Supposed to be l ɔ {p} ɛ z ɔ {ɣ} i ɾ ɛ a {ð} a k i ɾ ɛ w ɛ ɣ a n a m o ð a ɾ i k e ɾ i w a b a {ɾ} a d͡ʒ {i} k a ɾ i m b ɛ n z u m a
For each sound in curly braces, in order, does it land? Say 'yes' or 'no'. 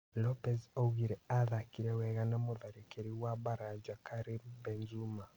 yes, yes, yes, yes, no

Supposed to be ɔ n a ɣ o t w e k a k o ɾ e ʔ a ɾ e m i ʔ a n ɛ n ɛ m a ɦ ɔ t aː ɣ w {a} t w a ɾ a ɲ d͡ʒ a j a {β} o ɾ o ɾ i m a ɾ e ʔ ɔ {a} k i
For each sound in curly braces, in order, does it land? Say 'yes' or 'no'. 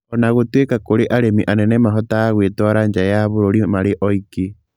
no, yes, no

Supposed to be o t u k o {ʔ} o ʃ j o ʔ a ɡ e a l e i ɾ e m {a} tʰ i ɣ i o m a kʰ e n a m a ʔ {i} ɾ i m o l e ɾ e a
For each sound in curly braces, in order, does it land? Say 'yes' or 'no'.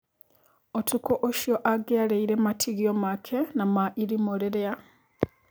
yes, yes, yes

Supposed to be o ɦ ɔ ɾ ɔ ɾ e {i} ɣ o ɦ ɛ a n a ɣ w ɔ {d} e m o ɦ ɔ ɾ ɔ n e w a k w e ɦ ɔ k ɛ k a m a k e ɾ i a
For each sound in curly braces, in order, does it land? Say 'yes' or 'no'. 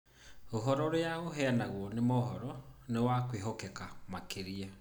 no, no

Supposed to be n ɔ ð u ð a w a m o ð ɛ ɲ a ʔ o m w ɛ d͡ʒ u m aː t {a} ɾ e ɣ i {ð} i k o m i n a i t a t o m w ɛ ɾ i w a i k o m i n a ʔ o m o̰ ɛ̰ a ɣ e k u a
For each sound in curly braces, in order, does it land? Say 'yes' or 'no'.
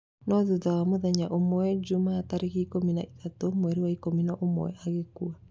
yes, no

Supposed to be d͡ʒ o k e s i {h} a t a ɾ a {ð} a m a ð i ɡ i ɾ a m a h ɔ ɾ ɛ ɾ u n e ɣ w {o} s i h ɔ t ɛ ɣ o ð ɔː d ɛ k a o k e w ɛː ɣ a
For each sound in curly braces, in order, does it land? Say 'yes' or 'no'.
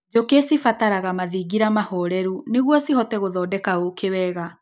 no, no, no

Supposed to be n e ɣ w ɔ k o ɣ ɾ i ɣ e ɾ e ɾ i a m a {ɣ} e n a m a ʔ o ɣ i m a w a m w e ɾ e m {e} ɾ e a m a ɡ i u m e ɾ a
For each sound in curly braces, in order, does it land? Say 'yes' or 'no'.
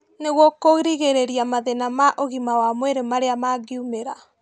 no, no

